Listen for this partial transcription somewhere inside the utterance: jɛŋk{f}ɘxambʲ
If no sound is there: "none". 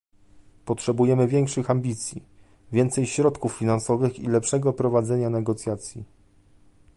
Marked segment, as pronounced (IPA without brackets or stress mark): ʂ